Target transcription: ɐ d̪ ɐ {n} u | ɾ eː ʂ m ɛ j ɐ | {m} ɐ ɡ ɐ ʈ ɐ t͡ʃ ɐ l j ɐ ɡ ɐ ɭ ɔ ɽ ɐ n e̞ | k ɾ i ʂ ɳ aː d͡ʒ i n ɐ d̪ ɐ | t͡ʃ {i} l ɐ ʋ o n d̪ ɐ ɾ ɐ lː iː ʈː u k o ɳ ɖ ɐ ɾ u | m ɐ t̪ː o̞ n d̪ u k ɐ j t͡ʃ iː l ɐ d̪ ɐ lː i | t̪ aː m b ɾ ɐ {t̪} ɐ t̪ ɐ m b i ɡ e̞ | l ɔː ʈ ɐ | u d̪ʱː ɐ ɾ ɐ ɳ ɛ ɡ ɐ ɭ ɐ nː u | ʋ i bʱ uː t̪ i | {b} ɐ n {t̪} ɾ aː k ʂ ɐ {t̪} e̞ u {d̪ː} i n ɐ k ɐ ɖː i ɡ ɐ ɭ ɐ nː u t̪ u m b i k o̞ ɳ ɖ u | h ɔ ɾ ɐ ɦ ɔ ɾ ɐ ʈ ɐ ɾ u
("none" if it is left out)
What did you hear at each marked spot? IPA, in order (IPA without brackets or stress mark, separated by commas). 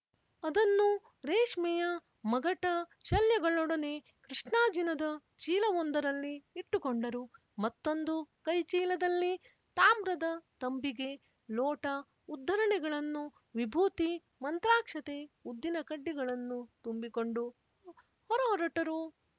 nː, m, iː, d̪, m, t̪, t̪, d̪ː